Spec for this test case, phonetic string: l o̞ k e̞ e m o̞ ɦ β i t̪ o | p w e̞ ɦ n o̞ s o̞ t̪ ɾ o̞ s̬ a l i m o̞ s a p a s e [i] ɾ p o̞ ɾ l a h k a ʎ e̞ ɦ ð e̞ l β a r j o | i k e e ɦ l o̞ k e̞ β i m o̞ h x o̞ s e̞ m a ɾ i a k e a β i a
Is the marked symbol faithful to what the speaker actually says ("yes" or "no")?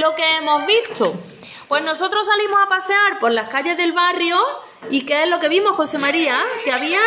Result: no